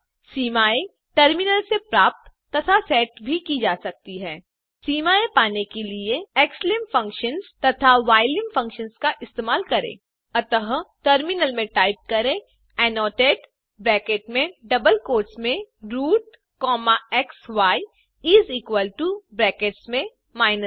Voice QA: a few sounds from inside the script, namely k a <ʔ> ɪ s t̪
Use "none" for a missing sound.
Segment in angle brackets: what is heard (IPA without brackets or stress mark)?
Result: ʔ